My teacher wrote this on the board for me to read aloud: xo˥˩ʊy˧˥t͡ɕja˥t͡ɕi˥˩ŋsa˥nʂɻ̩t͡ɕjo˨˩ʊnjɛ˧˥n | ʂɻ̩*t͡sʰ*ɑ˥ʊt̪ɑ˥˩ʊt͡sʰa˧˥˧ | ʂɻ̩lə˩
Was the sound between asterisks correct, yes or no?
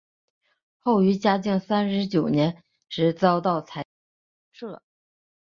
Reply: no